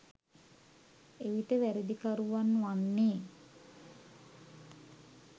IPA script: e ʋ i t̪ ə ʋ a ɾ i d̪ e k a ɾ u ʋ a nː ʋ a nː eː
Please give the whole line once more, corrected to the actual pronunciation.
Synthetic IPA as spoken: e ʋ i t̪ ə ʋ æ ɾ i d̪ i k a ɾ u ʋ a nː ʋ a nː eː